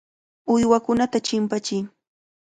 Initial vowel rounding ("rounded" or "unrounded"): rounded